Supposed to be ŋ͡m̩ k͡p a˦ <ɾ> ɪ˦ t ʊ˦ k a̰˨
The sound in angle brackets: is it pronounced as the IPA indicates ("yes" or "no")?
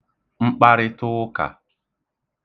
yes